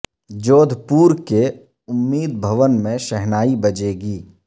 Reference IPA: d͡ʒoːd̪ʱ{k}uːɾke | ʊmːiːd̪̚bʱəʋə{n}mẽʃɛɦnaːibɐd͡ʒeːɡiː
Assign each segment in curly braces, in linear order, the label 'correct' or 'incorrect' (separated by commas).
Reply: incorrect, correct